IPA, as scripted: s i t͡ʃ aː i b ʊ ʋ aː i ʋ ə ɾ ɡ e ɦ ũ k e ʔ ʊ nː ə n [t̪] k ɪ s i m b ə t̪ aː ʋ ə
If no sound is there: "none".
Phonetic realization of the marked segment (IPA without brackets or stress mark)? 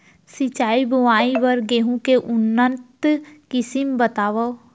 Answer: t̪